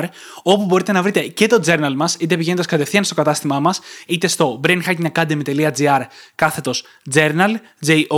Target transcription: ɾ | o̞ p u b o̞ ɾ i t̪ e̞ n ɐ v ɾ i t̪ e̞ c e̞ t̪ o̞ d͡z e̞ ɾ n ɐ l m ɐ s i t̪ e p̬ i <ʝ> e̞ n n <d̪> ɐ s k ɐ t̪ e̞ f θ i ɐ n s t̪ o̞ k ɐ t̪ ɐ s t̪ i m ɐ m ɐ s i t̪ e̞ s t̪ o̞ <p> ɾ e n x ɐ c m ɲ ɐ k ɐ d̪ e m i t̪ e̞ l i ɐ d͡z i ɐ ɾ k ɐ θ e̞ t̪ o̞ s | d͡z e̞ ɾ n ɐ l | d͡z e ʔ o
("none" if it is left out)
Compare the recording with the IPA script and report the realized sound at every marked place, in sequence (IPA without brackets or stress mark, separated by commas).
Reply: ʝ, d̪, b